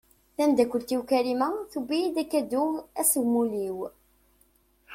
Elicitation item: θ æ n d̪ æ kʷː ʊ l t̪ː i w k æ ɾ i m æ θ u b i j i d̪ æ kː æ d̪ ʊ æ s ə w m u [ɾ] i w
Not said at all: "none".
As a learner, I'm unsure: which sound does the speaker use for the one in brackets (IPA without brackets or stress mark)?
l